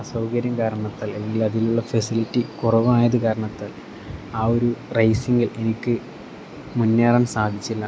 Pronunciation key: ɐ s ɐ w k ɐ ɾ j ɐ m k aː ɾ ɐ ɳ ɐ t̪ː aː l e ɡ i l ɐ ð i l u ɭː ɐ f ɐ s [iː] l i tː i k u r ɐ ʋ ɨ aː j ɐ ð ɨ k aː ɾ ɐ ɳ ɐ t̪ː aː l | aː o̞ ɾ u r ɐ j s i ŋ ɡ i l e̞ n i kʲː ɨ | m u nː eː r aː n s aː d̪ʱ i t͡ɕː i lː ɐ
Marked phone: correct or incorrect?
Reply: incorrect